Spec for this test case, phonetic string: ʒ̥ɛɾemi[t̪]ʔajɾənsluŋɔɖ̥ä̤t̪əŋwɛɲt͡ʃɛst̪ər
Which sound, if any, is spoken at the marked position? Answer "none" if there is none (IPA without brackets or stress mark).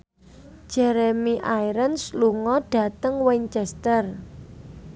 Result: none